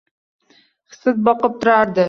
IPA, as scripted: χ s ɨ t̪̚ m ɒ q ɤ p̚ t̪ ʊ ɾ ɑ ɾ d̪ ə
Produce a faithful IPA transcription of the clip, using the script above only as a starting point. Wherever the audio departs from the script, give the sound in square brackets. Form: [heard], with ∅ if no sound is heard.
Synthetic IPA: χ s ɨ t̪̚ [b] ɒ q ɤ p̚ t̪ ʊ ɾ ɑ ɾ d̪ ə